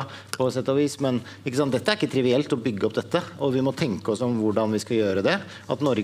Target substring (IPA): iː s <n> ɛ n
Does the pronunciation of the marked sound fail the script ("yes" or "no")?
yes